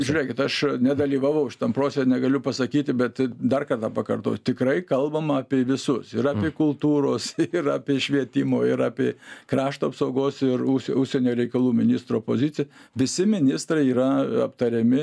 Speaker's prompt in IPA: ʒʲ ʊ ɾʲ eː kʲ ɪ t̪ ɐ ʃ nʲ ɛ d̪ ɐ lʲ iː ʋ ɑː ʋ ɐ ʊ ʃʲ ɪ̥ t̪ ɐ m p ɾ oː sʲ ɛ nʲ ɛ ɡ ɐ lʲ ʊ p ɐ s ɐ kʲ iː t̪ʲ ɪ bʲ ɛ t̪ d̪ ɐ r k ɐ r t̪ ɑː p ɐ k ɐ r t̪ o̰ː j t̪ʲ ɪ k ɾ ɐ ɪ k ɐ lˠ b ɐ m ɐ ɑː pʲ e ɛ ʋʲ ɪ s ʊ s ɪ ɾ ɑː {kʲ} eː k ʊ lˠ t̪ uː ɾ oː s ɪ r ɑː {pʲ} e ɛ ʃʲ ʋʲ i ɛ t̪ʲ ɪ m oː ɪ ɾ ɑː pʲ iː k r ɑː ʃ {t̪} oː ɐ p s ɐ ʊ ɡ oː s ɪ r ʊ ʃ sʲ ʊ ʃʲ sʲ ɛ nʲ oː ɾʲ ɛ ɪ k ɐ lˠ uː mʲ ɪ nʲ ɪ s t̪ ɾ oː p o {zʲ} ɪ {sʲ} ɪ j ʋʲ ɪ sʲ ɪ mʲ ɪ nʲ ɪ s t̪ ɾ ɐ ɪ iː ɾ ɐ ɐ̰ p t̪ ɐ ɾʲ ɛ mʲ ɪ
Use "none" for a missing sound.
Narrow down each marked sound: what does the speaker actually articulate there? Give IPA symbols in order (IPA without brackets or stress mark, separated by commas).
pʲ, pʲ, t̪, zʲ, t͡sʲ